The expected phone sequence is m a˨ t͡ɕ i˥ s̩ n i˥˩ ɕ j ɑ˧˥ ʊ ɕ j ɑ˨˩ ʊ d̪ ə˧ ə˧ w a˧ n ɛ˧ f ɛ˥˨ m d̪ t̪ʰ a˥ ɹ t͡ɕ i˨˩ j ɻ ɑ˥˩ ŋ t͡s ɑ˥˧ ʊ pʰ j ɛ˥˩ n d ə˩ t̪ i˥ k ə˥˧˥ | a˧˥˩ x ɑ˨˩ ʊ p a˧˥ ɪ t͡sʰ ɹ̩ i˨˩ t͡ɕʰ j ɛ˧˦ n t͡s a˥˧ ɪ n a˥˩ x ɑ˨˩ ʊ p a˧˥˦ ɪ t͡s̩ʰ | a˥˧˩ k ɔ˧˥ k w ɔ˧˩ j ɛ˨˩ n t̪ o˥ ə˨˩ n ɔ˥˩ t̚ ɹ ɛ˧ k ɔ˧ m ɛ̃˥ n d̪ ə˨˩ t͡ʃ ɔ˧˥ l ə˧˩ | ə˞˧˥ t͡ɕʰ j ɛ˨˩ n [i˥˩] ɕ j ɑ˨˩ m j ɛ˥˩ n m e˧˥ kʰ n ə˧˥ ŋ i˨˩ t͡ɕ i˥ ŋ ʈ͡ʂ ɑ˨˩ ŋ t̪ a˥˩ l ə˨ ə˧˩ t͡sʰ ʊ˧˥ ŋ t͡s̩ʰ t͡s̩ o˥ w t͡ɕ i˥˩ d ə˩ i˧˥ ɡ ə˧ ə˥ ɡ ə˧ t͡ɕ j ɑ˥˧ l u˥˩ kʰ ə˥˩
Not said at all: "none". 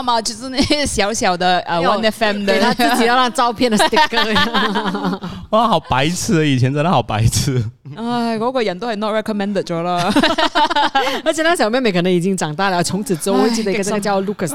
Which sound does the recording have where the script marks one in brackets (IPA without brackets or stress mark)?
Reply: a˥˩